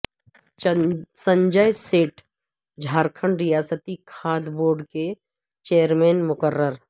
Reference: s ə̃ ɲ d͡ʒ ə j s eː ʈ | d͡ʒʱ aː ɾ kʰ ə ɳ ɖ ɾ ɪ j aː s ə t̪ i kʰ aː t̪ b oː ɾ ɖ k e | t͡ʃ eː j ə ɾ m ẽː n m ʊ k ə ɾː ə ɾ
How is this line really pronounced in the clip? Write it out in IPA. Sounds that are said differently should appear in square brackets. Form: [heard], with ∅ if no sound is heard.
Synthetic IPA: s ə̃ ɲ d͡ʒ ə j s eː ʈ | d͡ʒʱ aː ɾ kʰ ə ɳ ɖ ɾ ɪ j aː s ə t̪ i kʰ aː [d̪] b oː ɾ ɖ k e | t͡ʃ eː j ə ɾ m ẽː n m ʊ k ə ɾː ə ɾ